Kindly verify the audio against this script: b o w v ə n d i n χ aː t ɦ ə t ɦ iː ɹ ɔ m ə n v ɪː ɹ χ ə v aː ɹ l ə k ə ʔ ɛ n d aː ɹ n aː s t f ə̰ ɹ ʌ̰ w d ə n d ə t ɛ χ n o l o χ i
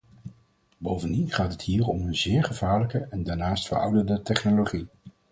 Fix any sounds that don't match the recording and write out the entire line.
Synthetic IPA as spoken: b o w v ə n d i n χ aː t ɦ ə t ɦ iː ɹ ɔ m ə n z ɪː ɹ χ ə v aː ɹ l ə k ə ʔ ɛ n d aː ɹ n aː s t f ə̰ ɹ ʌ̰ w d ə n d ə t ɛ χ n o l o χ i